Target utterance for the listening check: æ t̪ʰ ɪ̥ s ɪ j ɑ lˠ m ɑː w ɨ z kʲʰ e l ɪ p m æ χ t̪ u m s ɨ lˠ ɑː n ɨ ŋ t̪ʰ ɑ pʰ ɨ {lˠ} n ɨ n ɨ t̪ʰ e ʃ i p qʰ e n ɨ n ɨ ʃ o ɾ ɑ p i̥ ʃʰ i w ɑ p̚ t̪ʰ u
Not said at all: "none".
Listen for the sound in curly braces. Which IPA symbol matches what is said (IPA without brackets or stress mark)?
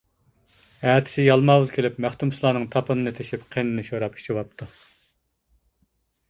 none